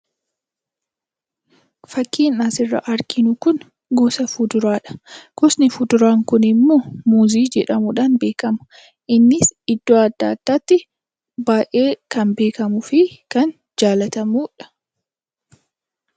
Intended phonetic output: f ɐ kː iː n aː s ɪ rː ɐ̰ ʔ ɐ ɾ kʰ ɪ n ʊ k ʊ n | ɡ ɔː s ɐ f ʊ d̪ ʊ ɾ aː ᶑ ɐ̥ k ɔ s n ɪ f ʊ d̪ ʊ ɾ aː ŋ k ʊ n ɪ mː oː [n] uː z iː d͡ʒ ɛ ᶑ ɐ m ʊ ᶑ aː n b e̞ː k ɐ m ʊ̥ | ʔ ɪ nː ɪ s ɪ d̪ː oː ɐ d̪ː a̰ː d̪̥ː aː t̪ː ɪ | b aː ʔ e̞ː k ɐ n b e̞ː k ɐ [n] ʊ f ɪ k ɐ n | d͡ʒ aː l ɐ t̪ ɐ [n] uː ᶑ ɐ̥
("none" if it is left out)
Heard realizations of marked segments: m, m, m

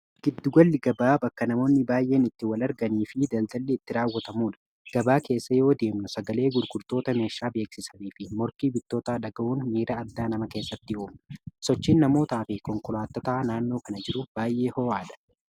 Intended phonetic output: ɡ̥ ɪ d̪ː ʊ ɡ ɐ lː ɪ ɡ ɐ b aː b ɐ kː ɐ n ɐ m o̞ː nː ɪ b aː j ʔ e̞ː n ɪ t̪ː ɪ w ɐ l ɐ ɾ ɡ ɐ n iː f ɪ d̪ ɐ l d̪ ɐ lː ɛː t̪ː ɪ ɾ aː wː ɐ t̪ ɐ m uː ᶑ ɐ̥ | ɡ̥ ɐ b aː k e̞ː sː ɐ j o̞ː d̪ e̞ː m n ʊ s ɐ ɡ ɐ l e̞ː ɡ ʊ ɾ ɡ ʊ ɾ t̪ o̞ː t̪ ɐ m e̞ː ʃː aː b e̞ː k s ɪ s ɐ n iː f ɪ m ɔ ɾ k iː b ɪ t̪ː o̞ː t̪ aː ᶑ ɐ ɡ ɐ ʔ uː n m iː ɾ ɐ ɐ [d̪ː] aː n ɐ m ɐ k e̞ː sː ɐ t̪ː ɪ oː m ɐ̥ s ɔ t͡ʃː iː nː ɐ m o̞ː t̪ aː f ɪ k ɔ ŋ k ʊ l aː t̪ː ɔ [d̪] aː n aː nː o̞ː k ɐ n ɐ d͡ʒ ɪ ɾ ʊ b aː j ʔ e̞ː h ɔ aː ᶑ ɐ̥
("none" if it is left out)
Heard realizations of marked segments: d̪ː, t̪

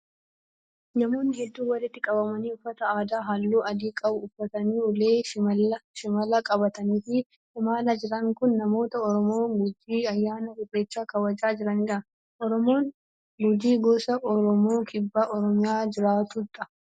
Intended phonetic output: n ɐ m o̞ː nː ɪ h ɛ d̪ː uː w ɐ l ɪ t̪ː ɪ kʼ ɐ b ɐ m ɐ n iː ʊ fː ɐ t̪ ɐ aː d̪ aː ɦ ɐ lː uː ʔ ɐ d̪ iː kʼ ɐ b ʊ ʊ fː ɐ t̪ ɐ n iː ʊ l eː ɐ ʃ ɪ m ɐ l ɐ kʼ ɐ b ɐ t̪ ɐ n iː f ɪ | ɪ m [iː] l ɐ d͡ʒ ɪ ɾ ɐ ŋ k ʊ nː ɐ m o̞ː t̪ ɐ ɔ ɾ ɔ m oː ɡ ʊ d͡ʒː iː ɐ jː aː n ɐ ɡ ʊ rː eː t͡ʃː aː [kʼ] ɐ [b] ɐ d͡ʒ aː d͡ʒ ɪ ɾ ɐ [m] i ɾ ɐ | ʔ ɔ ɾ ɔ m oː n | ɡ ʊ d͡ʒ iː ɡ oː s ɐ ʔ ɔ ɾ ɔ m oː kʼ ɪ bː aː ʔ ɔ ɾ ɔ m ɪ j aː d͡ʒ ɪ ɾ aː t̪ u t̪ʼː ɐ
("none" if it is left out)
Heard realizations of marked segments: aː, k, w, n

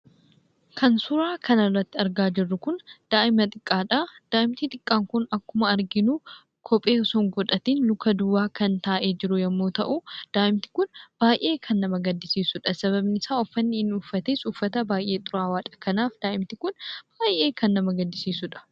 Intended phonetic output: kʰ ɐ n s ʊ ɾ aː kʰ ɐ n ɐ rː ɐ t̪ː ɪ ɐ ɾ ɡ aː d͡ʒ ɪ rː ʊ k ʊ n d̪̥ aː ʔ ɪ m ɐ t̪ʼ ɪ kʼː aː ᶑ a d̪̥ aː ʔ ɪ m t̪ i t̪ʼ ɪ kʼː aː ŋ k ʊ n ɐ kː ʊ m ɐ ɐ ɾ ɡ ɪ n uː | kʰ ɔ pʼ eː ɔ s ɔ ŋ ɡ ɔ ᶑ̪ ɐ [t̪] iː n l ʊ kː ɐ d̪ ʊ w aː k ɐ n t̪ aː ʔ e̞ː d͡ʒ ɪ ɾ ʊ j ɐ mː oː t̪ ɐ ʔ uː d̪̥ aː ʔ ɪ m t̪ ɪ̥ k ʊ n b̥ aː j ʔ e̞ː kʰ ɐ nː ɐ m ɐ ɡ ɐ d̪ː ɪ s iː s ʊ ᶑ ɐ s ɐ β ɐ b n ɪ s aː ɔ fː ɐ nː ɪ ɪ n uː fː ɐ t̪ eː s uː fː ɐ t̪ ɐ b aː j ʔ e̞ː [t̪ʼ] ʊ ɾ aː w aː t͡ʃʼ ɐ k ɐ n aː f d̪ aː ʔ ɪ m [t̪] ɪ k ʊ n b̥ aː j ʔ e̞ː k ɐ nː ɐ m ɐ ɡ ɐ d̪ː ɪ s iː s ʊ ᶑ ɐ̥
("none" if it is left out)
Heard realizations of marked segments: t̪, t̪ʼ, t̪

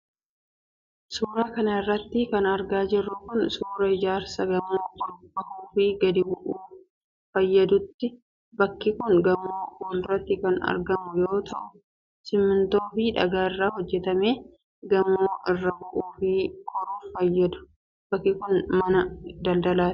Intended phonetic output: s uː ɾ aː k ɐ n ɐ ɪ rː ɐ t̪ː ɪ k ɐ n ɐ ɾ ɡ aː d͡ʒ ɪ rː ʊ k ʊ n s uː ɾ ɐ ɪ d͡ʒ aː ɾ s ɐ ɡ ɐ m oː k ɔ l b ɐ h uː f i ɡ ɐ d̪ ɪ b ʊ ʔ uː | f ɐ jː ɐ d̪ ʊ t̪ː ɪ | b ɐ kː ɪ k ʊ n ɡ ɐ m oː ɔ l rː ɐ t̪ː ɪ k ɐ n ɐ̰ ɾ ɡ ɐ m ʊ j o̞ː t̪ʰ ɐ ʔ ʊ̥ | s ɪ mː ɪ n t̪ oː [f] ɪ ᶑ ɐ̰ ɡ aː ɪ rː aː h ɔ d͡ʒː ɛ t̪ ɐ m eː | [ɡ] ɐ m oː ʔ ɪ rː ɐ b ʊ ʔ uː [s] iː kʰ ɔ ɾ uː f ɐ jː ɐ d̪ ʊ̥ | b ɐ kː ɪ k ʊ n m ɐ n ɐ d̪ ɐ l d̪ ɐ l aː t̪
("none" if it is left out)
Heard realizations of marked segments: f, ɡ, f

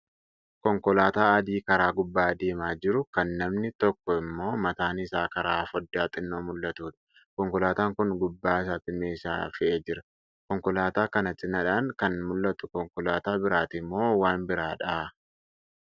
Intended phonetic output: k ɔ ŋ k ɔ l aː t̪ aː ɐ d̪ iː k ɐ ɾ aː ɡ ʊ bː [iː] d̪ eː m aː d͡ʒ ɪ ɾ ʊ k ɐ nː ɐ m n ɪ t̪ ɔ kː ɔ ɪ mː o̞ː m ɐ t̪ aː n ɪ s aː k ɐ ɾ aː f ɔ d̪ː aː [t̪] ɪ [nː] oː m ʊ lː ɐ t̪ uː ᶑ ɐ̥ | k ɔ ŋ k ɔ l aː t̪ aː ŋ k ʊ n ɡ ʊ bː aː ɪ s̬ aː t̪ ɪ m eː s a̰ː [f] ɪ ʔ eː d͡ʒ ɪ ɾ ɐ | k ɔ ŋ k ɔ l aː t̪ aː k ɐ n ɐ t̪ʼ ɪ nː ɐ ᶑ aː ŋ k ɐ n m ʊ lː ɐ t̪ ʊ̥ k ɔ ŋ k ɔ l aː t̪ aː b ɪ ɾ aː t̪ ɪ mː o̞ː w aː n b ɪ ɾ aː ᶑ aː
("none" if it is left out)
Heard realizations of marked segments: aː, t̪ʼ, nː, f

